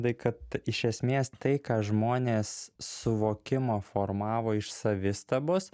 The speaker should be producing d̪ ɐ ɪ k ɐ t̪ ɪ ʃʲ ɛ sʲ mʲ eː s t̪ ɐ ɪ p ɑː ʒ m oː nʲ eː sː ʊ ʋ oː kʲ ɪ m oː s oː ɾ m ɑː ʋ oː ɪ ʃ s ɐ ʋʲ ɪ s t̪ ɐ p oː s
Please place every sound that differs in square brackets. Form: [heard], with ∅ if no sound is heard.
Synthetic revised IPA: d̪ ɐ ɪ k ɐ t̪ ɪ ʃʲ ɛ sʲ mʲ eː s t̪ ɐ ɪ [k] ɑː ʒ m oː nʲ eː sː ʊ ʋ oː kʲ ɪ m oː [f] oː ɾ m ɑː ʋ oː ɪ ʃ s ɐ ʋʲ ɪ s t̪ ɐ [b] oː s